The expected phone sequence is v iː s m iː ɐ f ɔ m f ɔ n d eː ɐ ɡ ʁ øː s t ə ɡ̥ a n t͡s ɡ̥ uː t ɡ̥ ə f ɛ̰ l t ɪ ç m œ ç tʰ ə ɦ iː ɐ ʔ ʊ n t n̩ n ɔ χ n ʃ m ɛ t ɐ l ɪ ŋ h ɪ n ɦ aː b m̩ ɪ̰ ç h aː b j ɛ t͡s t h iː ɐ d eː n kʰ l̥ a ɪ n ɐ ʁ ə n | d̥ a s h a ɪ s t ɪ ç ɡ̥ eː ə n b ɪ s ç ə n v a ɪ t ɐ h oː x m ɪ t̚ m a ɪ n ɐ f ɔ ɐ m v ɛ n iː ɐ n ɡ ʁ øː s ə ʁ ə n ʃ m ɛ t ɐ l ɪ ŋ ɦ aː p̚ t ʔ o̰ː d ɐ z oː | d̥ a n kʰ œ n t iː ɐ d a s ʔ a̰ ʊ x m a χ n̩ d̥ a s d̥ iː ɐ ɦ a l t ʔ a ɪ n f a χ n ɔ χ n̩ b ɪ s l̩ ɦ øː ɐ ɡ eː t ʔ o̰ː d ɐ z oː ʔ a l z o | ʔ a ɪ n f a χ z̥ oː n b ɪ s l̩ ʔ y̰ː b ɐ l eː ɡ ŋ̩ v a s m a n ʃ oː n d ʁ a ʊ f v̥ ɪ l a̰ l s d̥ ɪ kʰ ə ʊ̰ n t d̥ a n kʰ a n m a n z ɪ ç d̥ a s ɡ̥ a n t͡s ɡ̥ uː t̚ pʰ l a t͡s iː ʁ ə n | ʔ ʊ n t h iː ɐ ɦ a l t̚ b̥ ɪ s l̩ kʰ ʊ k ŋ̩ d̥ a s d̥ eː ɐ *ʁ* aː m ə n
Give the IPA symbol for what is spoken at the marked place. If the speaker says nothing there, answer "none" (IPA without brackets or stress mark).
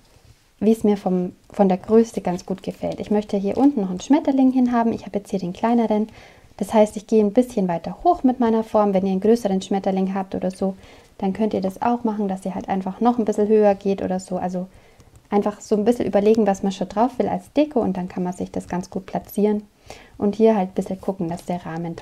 ʁ